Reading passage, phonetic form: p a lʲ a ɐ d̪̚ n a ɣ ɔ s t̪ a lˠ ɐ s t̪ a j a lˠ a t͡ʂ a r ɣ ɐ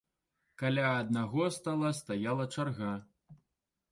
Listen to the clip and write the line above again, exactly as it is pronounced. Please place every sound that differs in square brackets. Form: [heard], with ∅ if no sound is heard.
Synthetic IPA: [k] a lʲ a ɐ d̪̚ n a ɣ ɔ s t̪ a lˠ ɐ s t̪ a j a lˠ [ɐ] t͡ʂ a r ɣ [a]